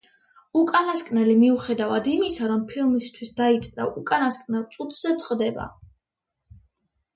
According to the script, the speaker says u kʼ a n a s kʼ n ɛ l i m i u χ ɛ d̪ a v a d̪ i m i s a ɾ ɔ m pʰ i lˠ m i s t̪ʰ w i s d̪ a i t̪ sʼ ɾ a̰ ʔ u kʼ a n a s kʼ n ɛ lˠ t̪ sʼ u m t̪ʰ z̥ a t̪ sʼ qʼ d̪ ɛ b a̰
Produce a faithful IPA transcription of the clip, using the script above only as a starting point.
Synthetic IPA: u kʼ a n a s kʼ n ɛ l i m i u χ ɛ d̪ a v a d̪ i m i s a ɾ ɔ m pʰ i lˠ m i s t̪ʰ w i s d̪ a i t̪ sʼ ɾ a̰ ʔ u kʼ a n a s kʼ n ɛ lˠ t̪ sʼ u t̪ʰ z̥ ɛ t̪ sʼ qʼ d̪ ɛ b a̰